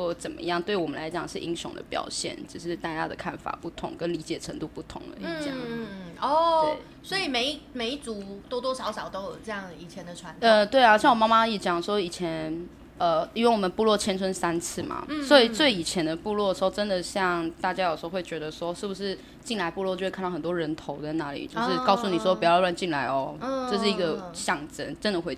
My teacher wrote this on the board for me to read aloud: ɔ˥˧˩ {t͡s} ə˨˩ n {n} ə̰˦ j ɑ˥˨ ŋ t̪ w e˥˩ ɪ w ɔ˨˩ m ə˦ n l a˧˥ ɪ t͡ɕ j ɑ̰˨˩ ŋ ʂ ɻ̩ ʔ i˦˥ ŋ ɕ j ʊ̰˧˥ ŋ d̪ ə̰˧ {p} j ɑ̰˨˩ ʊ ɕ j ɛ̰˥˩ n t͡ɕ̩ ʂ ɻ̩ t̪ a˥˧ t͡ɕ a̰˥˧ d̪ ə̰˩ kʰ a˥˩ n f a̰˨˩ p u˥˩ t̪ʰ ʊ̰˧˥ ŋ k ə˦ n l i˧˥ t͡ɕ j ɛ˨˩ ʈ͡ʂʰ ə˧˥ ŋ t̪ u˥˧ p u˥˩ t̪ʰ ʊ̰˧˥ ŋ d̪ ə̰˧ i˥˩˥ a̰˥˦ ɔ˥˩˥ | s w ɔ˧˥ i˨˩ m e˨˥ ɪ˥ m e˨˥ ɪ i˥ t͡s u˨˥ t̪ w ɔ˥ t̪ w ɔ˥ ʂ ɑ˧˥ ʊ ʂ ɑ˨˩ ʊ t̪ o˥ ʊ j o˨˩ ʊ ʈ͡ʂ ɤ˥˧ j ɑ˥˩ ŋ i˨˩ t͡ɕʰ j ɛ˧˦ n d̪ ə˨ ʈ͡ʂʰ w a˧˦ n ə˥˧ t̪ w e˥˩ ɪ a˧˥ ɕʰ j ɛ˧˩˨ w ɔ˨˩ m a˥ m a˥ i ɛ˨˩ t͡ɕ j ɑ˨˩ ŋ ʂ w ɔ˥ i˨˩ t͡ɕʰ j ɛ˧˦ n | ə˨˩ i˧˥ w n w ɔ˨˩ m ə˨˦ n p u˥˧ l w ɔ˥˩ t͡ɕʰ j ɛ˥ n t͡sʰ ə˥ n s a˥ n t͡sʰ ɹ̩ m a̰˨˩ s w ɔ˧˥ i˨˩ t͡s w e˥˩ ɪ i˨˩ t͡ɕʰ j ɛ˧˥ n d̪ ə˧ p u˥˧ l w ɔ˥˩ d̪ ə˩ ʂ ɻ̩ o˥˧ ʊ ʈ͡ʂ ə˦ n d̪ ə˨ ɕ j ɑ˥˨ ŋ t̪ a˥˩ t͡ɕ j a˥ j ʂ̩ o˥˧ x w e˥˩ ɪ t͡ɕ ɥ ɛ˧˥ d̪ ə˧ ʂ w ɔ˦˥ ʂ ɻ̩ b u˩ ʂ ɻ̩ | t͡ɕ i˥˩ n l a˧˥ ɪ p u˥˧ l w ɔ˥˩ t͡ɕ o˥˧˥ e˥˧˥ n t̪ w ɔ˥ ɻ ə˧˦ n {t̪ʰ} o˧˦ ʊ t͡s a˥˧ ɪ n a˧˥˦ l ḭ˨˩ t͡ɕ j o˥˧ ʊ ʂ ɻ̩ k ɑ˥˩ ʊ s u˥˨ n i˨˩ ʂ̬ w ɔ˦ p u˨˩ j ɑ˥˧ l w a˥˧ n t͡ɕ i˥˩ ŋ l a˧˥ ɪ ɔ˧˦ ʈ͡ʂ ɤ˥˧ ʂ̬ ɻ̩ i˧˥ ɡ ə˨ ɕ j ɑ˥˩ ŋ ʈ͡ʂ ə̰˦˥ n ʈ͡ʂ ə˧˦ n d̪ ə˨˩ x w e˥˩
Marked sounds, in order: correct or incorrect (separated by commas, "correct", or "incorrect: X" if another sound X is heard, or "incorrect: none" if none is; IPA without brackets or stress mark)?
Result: correct, incorrect: m, correct, correct